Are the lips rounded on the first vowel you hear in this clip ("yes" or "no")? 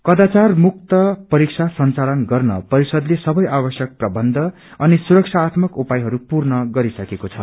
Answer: no